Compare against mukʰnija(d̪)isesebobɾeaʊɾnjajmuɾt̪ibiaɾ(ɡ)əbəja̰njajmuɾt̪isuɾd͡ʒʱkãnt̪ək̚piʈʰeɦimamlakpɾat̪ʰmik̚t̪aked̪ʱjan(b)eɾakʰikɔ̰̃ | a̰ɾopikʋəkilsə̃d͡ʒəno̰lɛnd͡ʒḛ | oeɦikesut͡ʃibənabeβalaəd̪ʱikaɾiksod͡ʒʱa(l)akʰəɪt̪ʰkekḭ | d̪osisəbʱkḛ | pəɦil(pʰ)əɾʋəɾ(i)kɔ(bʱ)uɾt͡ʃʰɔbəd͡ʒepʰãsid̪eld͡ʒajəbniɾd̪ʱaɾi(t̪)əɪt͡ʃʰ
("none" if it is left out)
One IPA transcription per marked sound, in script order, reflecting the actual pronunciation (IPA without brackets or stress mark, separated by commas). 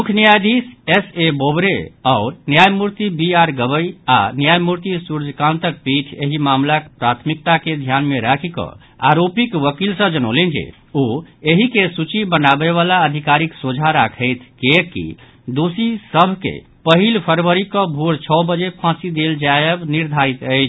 d̪, ɡ, m, ɾ, pʰ, i, bʱ, t̪